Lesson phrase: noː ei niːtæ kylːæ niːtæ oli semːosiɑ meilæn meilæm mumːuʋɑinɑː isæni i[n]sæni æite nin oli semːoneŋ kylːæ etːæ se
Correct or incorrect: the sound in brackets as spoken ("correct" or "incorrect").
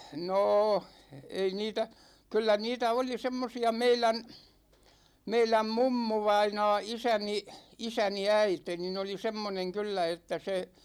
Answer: incorrect